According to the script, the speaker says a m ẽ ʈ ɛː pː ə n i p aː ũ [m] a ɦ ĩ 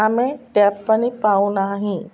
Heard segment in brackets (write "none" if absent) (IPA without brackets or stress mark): n